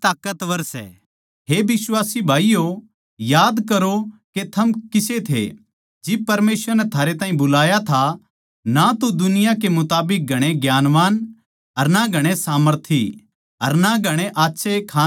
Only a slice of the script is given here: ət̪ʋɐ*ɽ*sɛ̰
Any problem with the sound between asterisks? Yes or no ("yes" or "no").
yes